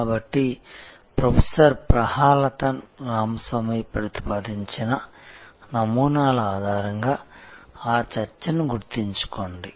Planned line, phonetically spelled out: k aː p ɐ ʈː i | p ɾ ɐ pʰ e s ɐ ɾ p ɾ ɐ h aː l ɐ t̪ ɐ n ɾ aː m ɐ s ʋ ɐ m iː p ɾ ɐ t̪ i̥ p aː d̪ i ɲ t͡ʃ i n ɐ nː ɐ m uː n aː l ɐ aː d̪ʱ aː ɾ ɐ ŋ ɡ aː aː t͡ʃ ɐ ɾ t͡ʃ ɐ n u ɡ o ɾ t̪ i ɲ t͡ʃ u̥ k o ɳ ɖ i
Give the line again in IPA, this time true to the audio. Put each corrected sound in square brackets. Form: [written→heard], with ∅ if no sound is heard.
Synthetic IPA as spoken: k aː [p→b] ɐ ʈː i | p ɾ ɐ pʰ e s ɐ ɾ p ɾ ɐ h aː l ɐ t̪ ɐ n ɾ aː m ɐ s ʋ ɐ m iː p ɾ ɐ t̪ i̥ p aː d̪ i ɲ t͡ʃ i n ɐ [nː→n] ɐ m uː n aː l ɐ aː d̪ʱ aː ɾ ɐ ŋ ɡ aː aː t͡ʃ ɐ ɾ t͡ʃ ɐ n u ɡ [o→u] ɾ t̪ i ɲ t͡ʃ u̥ k o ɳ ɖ i